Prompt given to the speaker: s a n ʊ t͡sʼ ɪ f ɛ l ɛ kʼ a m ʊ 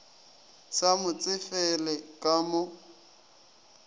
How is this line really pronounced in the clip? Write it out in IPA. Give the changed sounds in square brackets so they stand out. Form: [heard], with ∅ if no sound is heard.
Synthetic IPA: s a [m] ʊ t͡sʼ ɪ f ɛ l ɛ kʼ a m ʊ